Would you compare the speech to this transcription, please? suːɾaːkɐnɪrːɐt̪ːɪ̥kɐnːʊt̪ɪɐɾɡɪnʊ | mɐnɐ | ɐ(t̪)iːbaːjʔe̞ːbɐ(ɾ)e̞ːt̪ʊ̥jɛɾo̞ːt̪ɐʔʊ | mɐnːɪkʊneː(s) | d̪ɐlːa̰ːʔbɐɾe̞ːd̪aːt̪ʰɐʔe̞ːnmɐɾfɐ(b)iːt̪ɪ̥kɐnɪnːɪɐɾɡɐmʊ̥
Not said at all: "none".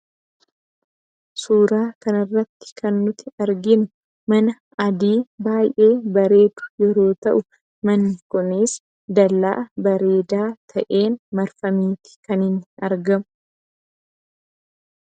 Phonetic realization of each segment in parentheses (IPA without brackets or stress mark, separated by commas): d̪, ɾ, s, m